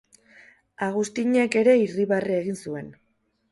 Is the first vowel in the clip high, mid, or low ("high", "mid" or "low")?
low